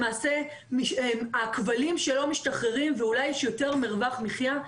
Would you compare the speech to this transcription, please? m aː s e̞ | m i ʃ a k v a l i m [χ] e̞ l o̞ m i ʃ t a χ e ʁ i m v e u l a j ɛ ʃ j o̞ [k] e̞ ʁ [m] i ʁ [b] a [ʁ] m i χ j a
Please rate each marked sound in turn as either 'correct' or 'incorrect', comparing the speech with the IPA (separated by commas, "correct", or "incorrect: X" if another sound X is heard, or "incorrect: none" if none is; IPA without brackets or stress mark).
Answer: incorrect: ʃ, incorrect: t, correct, incorrect: v, incorrect: χ